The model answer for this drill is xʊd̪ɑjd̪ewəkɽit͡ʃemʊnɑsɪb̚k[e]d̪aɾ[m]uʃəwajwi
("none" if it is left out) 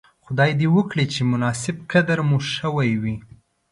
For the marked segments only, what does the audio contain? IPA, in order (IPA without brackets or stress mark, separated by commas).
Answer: a, m